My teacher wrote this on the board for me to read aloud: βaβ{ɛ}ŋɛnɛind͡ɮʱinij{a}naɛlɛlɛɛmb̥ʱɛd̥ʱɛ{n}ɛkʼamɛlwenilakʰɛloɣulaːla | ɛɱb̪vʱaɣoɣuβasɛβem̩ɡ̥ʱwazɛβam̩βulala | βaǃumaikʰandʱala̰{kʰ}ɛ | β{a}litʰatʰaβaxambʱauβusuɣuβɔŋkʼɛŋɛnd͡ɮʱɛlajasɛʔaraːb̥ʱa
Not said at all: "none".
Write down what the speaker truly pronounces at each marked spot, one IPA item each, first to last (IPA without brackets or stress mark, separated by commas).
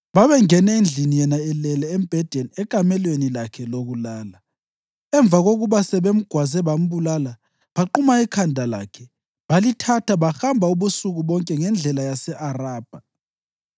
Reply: ɛ, ɛ, n, kʰ, a